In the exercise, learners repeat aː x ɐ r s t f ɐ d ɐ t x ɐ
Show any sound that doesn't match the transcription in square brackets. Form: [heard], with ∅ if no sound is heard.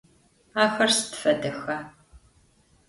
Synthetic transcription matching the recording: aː x ɐ r s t f ɐ d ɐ [∅] x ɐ